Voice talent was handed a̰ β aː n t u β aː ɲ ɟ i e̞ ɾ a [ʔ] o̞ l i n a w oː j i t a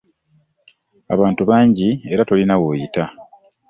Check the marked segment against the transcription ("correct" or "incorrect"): incorrect